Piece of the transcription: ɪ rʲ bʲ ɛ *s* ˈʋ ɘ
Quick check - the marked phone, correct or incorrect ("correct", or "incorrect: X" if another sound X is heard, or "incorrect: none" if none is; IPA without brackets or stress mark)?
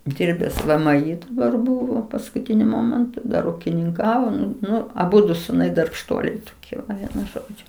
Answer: correct